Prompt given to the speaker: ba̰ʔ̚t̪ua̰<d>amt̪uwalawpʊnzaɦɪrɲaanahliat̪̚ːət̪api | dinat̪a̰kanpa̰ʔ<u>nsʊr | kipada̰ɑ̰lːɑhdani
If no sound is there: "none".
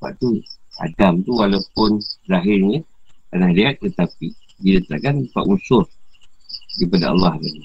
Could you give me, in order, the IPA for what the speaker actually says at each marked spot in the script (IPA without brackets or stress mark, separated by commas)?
d, u